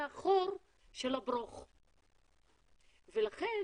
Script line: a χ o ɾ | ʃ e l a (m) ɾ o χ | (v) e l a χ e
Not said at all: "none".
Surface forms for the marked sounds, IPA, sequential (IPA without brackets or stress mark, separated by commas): b, v